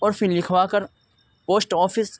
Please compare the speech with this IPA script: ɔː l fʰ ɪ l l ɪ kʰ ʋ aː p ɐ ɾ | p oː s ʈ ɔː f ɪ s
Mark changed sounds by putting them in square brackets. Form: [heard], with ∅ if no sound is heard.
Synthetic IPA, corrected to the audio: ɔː [ɾ] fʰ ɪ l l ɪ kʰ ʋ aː [k] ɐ ɾ | p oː s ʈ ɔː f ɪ s